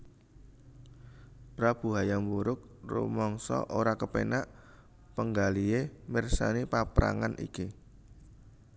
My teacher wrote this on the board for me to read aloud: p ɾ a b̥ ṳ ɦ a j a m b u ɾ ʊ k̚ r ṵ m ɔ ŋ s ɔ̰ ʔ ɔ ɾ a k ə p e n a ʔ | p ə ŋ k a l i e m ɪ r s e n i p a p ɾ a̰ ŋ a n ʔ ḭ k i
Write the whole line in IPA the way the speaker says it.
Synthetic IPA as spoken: p ɾ a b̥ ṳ ɦ a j a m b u ɾ ʊ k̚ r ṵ m ɔ ŋ s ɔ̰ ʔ o ɾ a k ə p e n a ʔ | p ə ŋ ɡ a l i e m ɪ r s a n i p a p ɾ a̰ ŋ a n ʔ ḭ k i